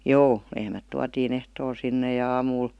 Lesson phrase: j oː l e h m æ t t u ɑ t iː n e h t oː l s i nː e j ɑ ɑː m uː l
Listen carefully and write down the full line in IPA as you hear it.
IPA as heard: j oː l e h m æ t t u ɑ t iː n e h t oː l s i nː e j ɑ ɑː m uː l

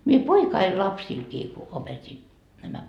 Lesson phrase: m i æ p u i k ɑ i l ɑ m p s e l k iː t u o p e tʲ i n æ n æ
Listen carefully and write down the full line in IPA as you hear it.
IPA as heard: m i e p o i k ɑ i l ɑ p s i l k iː k u o p e tʲ i n æ m æ

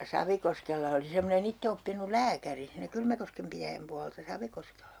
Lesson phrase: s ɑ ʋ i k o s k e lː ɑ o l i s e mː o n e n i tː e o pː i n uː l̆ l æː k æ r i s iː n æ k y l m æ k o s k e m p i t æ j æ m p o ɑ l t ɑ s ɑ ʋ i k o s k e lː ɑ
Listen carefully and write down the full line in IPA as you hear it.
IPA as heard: s ɑ ʋ i k o s k e lː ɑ o l i s e mː o n e n i tː e o pː i n u l̆ l æː k æ r i s iː n æ k y l m æ k o s k e m p i t æ j æ m p u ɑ l t ɑ s ɑ ʋ i k o s k e lː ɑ

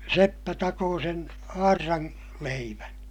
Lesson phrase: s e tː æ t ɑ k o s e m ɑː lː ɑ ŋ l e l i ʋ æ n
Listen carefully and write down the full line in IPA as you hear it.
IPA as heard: s e pː æ t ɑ k oː s e n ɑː rː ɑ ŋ l e i ʋ æ n

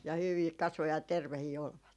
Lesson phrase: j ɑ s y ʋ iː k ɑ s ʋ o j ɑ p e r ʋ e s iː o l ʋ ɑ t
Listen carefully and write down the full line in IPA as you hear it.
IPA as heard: j ɑ h y ʋ iː k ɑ s ʋ o j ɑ t e r ʋ e h iː o l ʋ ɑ t

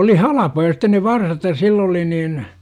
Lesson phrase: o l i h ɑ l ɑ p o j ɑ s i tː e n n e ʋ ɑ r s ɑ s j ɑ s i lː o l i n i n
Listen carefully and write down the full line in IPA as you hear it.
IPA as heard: o l i h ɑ l ɑ p o j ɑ s i tː e n n e ʋ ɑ r s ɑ t j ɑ s i lː o l i n iː n

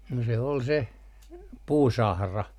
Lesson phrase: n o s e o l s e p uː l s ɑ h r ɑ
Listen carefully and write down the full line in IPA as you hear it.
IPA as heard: n o s e o l s e p uː s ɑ h r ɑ

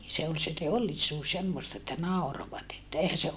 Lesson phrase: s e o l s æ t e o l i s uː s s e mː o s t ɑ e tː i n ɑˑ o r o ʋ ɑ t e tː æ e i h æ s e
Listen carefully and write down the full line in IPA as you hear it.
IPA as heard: s e o l s e t e o lː i s uː s s e mː o s t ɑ e tː æ n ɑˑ o r o ʋ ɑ t e tː æ e i h æ s e

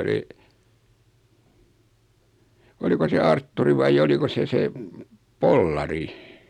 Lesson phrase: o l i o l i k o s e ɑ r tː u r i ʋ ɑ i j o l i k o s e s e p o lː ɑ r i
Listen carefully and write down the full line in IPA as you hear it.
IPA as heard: o l i o l i k o s e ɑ r tː u r i ʋ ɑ i j o l i k o s e s e p o lː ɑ r i

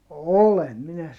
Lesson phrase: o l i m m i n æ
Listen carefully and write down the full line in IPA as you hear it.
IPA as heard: o l e m m i n æ

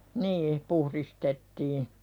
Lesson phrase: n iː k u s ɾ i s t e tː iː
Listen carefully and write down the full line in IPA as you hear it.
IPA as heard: n iː p u h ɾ i s t e tː iː

